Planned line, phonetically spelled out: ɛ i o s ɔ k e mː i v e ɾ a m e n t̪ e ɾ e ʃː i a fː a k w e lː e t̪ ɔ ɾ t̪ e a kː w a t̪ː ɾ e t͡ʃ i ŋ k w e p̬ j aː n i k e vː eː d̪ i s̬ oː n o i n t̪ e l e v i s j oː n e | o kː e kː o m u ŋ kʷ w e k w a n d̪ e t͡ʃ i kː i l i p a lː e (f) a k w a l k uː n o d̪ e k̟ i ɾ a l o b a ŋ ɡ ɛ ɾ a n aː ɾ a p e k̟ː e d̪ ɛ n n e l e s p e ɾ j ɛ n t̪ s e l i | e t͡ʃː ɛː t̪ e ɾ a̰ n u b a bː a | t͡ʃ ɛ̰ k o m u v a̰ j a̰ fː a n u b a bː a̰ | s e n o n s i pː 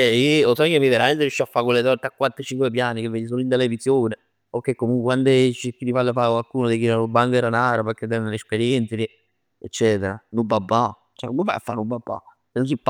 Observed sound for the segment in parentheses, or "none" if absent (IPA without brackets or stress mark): f